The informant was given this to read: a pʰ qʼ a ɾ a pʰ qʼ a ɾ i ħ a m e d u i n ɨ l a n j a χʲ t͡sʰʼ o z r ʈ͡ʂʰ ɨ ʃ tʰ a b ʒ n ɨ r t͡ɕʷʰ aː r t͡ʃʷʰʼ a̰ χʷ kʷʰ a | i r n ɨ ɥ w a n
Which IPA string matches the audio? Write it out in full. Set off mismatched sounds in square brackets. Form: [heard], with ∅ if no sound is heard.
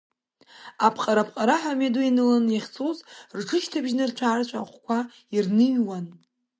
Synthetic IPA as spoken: a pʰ qʼ a ɾ a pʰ qʼ a ɾ [a] ħ a m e d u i n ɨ l a n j a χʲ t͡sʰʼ o z r ʈ͡ʂʰ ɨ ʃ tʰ a b ʒ n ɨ r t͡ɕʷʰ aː r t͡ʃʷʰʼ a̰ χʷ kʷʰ a | i r n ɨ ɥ w a n

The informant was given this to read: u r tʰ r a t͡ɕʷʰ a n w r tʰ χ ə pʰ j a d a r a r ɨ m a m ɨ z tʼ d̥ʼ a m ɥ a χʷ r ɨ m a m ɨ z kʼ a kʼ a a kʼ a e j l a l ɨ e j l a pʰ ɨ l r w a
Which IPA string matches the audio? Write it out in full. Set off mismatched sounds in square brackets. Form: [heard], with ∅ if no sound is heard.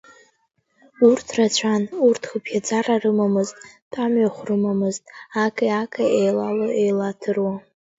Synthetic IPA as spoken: u r tʰ r a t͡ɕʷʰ a n [u] r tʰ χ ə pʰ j a [d͡z] a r a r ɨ m a m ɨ z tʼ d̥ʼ a m ɥ a χʷ r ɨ m a m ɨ z [tʼ] a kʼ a a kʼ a e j l a l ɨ e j l a [tʰ] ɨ [∅] r w a

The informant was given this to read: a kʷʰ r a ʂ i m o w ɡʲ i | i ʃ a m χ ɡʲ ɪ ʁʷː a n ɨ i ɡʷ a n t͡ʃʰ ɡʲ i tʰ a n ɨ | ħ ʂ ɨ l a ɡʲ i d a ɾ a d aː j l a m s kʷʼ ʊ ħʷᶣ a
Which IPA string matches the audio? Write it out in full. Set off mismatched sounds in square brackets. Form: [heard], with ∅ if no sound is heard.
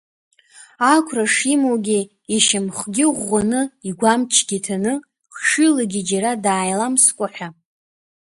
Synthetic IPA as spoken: a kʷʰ r a ʂ i m o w ɡʲ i | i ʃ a m χ ɡʲ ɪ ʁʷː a n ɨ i ɡʷ a [m] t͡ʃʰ ɡʲ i tʰ a n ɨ | [χ] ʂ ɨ l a ɡʲ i [d͡ʒ] a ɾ a d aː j l a m s kʷʼ ʊ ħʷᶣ a

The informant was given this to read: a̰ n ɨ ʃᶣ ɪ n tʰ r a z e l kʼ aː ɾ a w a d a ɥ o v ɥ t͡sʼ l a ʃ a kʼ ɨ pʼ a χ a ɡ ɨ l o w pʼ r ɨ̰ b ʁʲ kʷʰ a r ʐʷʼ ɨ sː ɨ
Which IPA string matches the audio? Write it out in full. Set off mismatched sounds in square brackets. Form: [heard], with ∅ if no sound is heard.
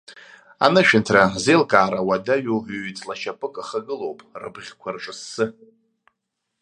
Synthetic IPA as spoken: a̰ n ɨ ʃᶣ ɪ n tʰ r a z e l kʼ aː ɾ a w a d a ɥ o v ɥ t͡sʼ l a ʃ a [pʼ] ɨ [kʼ] a χ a ɡ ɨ l o w pʼ r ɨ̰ b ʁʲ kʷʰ a r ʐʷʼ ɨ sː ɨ

